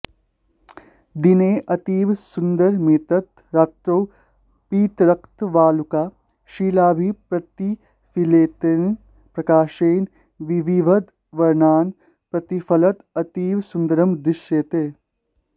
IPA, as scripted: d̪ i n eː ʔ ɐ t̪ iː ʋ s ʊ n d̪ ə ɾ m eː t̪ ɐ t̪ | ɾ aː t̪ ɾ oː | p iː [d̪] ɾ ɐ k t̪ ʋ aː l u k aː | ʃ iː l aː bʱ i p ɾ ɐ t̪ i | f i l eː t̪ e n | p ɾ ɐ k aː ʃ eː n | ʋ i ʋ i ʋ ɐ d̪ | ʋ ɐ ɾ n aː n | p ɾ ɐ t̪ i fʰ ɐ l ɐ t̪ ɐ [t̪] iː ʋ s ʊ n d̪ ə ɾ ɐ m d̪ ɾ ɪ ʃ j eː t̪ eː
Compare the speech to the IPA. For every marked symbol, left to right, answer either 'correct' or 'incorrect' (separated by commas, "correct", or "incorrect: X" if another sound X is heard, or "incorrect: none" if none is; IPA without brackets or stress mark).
incorrect: t̪, correct